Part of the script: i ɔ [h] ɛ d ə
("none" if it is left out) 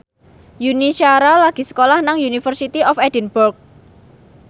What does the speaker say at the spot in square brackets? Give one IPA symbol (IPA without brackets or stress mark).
f